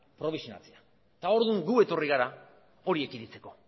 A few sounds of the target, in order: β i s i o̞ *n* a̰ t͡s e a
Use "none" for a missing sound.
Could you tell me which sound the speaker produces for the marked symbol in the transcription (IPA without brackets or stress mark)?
n